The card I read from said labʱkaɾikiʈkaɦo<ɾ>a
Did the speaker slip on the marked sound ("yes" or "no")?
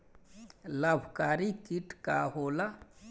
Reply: yes